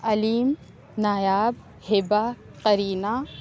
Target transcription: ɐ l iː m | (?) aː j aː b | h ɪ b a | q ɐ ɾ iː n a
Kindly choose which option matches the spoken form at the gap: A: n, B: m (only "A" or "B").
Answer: A